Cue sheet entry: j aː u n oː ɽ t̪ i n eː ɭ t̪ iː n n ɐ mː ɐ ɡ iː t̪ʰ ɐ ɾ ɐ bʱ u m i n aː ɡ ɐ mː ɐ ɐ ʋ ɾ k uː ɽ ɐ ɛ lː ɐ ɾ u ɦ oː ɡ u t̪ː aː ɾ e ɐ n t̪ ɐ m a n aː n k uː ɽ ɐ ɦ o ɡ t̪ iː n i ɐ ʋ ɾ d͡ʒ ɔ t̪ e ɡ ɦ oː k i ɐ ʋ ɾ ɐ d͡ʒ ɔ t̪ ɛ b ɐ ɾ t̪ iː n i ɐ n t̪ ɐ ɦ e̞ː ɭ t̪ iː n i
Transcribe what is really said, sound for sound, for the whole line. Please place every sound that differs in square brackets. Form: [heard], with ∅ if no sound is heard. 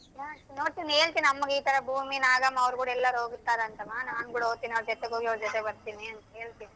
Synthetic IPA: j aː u n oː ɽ t̪ i n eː ɭ t̪ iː n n ɐ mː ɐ ɡ iː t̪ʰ ɐ ɾ ɐ bʱ [uː] m i n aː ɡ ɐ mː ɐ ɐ ʋ ɾ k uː ɽ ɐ ɛ lː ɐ ɾ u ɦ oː ɡ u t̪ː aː ɾ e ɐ n t̪ ɐ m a n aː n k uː ɽ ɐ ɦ o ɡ t̪ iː n i ɐ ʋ ɾ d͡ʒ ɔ t̪ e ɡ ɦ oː [ɡ] i ɐ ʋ ɾ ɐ d͡ʒ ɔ t̪ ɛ b ɐ ɾ t̪ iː n i ɐ n t̪ ɐ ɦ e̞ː ɭ t̪ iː n i